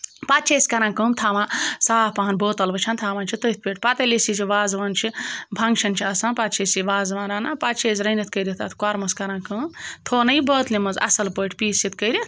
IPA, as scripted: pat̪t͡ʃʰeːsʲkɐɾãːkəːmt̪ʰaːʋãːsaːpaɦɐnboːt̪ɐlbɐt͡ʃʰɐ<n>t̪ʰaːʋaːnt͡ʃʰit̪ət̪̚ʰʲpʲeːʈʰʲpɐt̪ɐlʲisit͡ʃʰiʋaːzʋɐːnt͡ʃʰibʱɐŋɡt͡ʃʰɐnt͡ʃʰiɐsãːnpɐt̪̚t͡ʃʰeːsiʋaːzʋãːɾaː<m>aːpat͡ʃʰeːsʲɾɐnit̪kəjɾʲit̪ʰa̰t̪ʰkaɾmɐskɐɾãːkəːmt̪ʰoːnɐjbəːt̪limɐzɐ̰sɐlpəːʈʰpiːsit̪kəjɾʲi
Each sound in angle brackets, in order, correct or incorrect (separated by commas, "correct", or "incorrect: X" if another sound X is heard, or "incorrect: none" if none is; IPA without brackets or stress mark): correct, incorrect: n